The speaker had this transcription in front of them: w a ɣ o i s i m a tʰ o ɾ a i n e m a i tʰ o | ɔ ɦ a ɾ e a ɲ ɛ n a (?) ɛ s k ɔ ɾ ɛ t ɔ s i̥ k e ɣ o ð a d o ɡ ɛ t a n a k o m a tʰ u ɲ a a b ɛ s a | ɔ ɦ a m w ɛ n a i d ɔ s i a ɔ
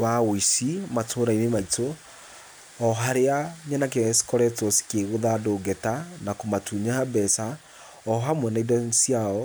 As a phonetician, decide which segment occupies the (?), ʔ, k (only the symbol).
k